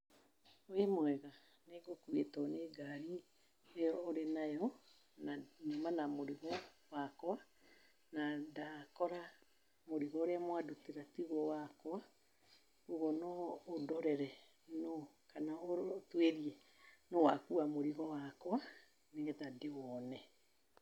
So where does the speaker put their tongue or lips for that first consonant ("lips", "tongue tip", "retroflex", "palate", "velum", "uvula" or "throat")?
lips